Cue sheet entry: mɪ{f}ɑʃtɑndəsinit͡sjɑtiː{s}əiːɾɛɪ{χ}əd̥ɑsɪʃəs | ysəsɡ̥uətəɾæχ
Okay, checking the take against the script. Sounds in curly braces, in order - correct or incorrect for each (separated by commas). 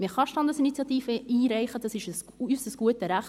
incorrect, incorrect, correct